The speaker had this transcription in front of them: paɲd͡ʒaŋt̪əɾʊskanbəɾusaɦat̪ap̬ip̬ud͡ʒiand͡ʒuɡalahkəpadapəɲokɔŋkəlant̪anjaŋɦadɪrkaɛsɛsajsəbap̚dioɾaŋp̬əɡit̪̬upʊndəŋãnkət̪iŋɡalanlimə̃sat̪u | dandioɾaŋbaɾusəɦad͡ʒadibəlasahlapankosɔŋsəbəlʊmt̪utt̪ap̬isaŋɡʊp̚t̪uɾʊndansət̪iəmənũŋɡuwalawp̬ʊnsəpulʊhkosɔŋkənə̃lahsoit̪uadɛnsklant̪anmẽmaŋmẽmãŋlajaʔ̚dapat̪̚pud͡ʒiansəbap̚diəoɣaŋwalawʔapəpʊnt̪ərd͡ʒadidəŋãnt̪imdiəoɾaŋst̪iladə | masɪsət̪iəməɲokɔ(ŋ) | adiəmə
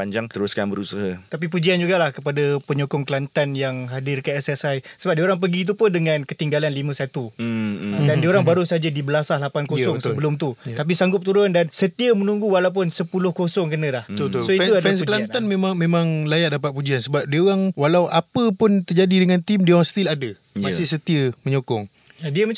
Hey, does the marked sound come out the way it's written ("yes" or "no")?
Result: yes